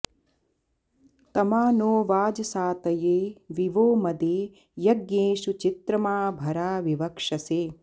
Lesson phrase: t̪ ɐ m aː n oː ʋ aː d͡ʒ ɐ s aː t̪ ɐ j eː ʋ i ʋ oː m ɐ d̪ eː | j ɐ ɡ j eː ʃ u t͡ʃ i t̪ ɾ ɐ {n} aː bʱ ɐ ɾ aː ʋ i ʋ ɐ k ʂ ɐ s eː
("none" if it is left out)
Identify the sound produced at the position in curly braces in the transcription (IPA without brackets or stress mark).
m